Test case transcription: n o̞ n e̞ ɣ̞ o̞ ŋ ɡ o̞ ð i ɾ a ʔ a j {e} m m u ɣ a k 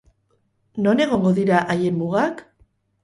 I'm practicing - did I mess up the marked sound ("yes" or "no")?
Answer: no